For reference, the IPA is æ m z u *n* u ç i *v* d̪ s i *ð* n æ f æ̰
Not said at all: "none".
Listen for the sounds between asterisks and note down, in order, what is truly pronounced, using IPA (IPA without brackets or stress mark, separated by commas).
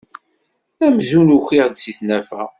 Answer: n, ʁ, θ